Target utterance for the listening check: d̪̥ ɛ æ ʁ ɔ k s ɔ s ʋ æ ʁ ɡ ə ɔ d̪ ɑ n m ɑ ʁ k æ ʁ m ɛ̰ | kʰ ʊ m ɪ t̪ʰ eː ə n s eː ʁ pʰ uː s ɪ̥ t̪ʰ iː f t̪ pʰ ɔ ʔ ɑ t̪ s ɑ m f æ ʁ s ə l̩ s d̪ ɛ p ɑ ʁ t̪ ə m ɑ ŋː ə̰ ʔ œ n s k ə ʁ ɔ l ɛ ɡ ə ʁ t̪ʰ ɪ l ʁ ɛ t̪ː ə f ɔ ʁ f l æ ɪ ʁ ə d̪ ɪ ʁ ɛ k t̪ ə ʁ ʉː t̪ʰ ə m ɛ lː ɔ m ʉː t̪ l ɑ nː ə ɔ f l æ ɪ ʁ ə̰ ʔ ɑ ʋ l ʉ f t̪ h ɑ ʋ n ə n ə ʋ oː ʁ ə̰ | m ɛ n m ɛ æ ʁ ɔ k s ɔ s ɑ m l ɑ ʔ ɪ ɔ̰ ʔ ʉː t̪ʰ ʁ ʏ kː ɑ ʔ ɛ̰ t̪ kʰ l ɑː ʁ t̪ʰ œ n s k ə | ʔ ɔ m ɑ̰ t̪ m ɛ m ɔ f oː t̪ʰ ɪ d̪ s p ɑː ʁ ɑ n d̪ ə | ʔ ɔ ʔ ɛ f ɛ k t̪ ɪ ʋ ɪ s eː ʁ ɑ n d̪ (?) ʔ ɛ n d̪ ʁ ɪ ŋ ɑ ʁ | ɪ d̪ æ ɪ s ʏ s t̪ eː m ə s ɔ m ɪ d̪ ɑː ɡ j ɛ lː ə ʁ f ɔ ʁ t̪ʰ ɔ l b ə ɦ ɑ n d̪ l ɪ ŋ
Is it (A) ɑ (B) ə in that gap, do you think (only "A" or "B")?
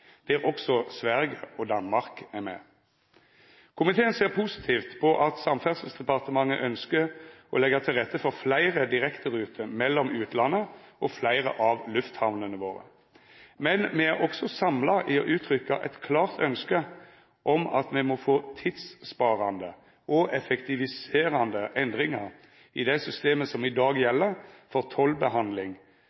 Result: B